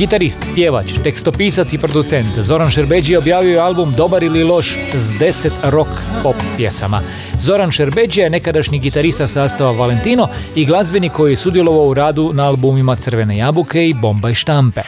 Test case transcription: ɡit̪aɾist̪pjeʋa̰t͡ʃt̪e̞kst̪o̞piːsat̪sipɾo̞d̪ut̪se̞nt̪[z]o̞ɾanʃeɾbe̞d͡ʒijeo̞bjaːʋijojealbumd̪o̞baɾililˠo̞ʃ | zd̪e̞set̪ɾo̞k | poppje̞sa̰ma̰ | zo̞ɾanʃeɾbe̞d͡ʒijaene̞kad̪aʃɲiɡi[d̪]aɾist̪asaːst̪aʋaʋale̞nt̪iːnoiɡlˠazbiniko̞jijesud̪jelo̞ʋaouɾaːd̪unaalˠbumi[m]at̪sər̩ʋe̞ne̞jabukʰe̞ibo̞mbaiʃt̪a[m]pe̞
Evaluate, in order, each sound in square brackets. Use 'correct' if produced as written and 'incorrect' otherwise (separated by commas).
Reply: correct, incorrect, correct, correct